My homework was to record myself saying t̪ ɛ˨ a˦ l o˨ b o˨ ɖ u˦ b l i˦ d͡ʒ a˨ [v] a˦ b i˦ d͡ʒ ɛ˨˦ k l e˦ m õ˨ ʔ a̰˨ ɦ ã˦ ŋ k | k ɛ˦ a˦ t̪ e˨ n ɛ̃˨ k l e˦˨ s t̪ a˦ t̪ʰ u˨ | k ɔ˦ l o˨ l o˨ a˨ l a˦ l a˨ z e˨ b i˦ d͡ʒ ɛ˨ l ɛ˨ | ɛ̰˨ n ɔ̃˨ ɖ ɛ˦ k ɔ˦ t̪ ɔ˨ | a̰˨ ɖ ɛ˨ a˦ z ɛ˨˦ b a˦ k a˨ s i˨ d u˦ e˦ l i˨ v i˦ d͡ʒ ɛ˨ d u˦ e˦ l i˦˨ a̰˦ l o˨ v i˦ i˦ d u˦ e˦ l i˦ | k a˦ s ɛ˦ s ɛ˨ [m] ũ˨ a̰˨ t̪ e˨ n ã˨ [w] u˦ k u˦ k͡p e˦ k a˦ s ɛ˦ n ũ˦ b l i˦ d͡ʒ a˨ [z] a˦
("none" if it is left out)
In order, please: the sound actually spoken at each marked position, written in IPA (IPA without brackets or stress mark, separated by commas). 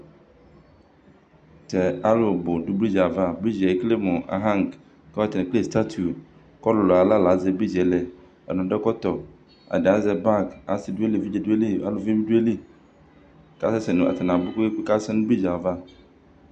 v, n, b, v